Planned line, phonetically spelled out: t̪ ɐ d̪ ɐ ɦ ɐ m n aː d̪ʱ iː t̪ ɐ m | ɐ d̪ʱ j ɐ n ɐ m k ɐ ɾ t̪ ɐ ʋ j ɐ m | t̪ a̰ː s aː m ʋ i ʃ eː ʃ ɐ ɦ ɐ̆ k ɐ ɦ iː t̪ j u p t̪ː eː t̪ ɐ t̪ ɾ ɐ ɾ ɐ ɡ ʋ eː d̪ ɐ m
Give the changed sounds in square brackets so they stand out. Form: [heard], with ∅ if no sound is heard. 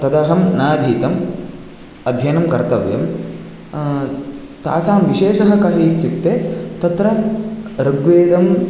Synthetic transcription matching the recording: t̪ ɐ d̪ ɐ ɦ ɐ m n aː d̪ʱ iː t̪ ɐ m | ɐ d̪ʱ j ɐ n ɐ m k ɐ ɾ t̪ ɐ ʋ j ɐ m | t̪ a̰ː s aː m ʋ i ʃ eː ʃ ɐ ɦ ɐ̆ k ɐ ɦ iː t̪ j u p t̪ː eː t̪ ɐ t̪ ɾ ɐ ɾ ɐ ɡ ʋ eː d̪ ɐ m